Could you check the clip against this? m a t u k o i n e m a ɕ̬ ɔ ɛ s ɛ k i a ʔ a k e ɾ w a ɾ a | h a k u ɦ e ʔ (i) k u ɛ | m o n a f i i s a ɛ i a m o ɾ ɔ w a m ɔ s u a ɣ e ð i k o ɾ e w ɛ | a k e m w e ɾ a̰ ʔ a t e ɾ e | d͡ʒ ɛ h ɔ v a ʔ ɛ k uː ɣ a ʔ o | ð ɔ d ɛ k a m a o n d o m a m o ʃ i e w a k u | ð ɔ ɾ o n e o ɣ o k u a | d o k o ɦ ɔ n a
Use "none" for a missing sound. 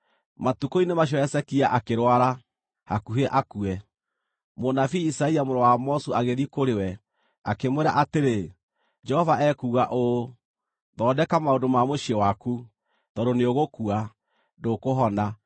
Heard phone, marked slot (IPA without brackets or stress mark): a